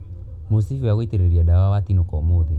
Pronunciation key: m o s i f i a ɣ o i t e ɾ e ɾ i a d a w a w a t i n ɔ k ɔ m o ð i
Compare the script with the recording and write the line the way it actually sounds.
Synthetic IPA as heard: m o s i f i a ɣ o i t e ɾ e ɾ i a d a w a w a t i n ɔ k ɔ m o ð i